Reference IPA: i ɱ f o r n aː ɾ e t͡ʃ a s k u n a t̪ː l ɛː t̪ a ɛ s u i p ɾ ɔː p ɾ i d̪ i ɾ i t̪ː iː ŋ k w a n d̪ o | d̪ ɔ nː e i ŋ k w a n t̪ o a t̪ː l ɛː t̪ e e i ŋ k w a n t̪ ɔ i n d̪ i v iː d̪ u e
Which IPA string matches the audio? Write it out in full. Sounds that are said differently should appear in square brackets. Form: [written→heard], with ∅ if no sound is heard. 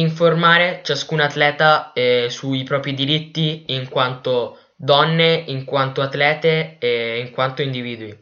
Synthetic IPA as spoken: i ɱ f o r [n→m] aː ɾ e t͡ʃ a s k u n a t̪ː l ɛː t̪ a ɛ s u i p ɾ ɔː p ɾ i d̪ i ɾ i t̪ː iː ŋ k w a n [d̪→t̪] o | d̪ ɔ nː e i ŋ k w a n t̪ o a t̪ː l ɛː t̪ e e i ŋ k w a n t̪ [ɔ→o] i n d̪ i v iː d̪ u [e→i]